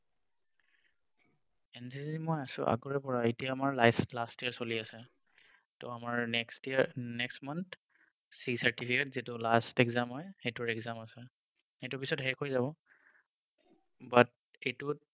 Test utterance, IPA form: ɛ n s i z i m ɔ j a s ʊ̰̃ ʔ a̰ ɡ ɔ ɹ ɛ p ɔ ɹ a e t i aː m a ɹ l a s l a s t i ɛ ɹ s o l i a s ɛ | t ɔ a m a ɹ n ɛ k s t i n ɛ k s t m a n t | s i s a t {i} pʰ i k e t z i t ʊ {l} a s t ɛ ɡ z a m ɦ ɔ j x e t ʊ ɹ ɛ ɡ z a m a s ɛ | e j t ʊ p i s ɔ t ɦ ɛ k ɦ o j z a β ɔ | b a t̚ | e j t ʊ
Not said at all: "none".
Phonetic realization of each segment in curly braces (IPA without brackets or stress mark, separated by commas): i, l